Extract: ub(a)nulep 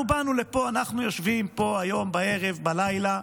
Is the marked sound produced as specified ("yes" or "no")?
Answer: yes